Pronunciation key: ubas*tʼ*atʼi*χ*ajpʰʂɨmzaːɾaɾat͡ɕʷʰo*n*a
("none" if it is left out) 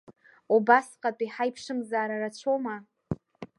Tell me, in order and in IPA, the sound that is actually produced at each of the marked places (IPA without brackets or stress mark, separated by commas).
qʼ, ħ, m